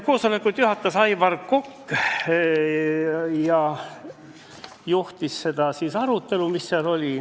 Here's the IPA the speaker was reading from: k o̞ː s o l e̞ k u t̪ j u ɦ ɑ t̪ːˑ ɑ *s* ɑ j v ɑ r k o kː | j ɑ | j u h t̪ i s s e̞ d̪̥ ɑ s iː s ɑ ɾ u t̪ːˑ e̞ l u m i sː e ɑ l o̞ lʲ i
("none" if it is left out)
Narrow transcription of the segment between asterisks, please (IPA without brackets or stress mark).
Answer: s